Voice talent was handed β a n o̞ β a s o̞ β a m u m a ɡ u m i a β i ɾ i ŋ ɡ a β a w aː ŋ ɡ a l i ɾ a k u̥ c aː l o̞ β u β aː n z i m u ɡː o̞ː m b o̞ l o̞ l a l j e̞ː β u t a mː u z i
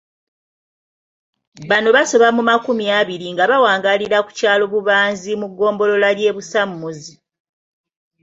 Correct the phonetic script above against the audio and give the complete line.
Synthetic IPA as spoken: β a n o̞ β a s o̞ β a m u m a k u m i a β i ɾ i ŋ ɡ a β a w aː ŋ ɡ a l i ɾ a k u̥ c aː l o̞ β u β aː n z i m u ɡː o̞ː m b o̞ l o̞ l a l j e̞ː β u s a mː u z i

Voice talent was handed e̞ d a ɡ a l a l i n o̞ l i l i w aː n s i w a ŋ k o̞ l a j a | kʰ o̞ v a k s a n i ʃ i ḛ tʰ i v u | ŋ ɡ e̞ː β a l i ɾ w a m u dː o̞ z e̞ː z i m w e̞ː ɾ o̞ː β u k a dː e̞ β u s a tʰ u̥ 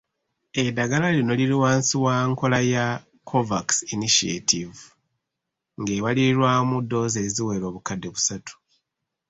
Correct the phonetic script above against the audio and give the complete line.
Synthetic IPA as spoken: e̞ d a ɡ a l a l i n o̞ l i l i w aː n s i w a ŋ k o̞ l a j a | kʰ o̞ v a k s i n i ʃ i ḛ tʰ i v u | ŋ ɡ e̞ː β a l i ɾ w a m u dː o̞ z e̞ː z i w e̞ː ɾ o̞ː β u k a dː e̞ β u s a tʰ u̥

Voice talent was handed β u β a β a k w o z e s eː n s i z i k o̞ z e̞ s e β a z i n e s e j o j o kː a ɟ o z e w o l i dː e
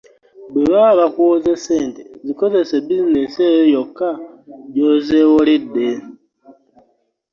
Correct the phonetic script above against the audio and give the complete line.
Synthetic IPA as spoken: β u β a β a k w o z e s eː n t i z i k o̞ z e̞ s e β i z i n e s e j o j o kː a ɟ o z e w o l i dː e

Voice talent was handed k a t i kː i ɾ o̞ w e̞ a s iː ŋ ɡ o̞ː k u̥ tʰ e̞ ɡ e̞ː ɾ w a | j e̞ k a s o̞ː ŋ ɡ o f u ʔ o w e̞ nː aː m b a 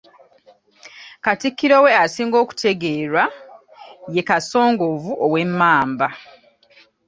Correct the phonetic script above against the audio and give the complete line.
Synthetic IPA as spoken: k a t i kː i ɾ o̞ w e̞ a s iː ŋ ɡ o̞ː k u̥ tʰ e̞ ɡ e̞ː ɾ w a | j e̞ k a s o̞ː ŋ ɡ o v u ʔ o w e̞ mː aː m b a

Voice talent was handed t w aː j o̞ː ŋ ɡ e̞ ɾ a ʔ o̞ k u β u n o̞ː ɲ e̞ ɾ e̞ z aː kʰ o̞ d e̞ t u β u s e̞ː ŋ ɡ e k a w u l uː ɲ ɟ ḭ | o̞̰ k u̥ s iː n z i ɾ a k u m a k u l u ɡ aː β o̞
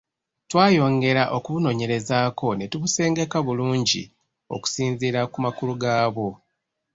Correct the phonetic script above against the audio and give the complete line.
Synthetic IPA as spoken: t w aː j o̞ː ŋ ɡ e̞ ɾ a ʔ o̞ k u β u n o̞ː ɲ e̞ ɾ e̞ z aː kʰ o̞ n e̞ t u β u s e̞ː ŋ ɡ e k a β u l uː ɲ ɟ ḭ | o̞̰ k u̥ s iː n z i ɾ a k u m a k u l u ɡ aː β o̞

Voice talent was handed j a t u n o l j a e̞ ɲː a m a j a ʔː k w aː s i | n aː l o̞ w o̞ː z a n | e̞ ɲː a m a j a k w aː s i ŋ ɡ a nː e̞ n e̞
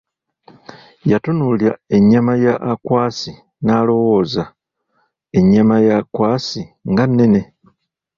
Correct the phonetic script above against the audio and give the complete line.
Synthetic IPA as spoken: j a t u n u l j a e̞ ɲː a m a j a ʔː k w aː s i | n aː l o̞ w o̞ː z a | e̞ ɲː a m a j a k w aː s i ŋ ɡ a nː e̞ n e̞

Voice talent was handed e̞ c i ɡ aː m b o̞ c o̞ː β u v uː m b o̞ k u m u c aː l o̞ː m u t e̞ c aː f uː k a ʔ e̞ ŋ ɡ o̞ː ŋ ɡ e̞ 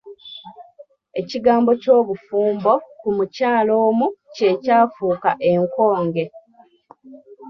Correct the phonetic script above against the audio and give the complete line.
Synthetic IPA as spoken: e̞ c i ɡ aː m b o̞ c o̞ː β u f uː m b o̞ k u m u c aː l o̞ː m u c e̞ c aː f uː k a ʔ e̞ ŋ k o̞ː ŋ ɡ e̞

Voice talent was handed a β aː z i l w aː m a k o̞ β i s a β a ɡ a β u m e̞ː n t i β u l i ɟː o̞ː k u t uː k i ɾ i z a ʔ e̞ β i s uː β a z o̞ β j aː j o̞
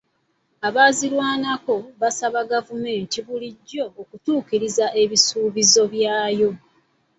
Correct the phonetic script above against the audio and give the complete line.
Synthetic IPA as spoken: a β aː z i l w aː n a k o̞ β a s a β a ɡ a v u m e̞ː n t i β u l i ɟː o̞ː k u t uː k i ɾ i z a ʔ e̞ β i s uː β i z o̞ β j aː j o̞

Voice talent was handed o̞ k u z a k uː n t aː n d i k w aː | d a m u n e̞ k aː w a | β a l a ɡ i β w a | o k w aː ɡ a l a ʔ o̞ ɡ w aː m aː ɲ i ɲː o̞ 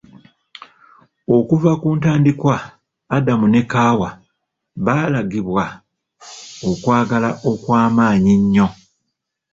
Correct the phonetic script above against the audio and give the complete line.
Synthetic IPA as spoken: o̞ k u v a k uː n t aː n d i k w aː | d a m u n e̞ k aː w a | β a l a ɡ i β w a | o k w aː ɡ a l a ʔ o̞ k w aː m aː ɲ i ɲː o̞

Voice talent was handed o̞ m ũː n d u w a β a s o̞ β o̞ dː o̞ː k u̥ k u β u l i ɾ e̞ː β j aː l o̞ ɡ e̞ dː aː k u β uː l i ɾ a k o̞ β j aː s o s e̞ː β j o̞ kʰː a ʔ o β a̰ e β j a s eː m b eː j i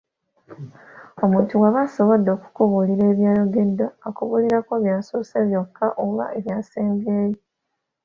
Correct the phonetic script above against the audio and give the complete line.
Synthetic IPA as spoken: o̞ m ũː n t u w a β a s o̞ β o̞ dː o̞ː k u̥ k u β u l i ɾ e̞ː β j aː l o̞ ɡ e̞ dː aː k u β u l i ɾ a k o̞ β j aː s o s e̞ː β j o̞ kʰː a ʔ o β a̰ e β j a s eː m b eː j i

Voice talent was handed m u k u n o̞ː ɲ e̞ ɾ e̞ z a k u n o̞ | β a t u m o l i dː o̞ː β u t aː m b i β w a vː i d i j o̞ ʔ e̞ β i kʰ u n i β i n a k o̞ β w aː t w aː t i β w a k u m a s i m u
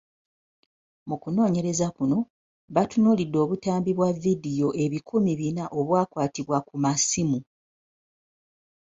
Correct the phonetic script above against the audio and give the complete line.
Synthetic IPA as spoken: m u k u n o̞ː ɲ e̞ ɾ e̞ z a k u n o̞ | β a t u n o l i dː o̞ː β u t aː m b i β w a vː i d i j o̞ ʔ e̞ β i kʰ u m i β i n a ʔ o̞ β w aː k w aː t i β w a k u m a s i m u

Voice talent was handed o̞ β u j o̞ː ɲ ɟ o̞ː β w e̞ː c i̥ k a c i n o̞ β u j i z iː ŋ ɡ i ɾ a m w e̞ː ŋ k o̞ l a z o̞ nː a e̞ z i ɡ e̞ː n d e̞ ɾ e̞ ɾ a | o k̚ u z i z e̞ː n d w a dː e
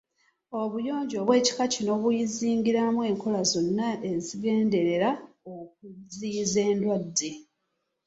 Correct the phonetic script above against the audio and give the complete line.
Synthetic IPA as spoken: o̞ β u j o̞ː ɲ ɟ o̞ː β w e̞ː c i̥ k a c i n o̞ β u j i z iː ŋ ɡ i ɾ a m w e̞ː ŋ k o̞ l a z o̞ nː a e̞ z i ɡ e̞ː n d e̞ ɾ e̞ ɾ a | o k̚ u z i z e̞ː n d w a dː e

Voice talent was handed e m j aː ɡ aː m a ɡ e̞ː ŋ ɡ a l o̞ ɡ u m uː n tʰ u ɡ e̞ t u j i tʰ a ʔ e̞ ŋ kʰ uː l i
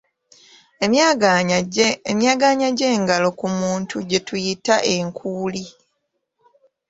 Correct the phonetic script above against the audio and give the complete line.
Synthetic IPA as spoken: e m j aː ɡ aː ɲ a ɟ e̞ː ŋ ɡ a l o̞ k u m uː n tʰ u ɟ e̞ t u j i t a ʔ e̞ ŋ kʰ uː l i

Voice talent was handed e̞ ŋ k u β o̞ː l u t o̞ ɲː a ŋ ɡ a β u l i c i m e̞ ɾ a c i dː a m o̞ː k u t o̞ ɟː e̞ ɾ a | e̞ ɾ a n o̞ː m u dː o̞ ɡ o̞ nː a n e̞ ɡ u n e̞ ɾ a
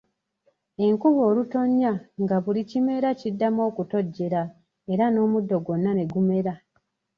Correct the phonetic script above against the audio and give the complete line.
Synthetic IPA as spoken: e̞ ŋ k u β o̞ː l u t o̞ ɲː a ŋ ɡ a β u l i c i m e̞ ɾ a c i dː a m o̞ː k u t o̞ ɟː e̞ ɾ a | e̞ ɾ a n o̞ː m u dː o̞ ɡ o̞ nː a n e̞ ɡ u m e̞ ɾ a

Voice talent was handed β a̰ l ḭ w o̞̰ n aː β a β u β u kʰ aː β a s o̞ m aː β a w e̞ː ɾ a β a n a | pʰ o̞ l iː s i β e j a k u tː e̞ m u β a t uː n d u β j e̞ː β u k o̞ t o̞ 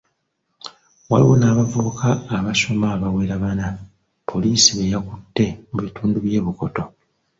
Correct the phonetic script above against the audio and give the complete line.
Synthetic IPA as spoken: w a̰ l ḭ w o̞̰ n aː β a v u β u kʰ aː β a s o̞ m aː β a w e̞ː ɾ a β a n a | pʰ o̞ l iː s i β e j a k u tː e̞ m u β i t uː n d u β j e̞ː β u k o̞ t o̞

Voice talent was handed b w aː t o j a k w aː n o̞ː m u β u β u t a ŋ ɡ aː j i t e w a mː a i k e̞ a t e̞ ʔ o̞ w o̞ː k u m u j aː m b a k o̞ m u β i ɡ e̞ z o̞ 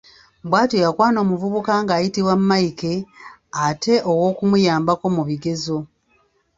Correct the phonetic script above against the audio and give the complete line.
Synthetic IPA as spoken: b w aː t o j a k w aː n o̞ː m u v u β u k a ŋ ɡ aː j i t i w a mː a i k e̞ a t e̞ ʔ o̞ w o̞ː k u m u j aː m b a k o̞ m u β i ɡ e̞ z o̞

